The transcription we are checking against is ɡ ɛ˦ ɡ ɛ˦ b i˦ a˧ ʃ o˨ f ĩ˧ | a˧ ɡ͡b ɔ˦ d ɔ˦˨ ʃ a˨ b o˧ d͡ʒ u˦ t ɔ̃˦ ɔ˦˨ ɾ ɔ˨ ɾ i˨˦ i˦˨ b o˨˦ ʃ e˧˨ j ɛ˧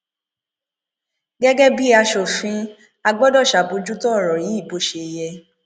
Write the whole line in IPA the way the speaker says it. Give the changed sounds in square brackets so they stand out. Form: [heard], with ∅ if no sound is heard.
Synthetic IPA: ɡ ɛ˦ ɡ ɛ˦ b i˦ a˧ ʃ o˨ f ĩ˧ | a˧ ɡ͡b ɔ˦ d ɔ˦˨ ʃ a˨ b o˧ d͡ʒ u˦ t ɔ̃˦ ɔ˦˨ ɾ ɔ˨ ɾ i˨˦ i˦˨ b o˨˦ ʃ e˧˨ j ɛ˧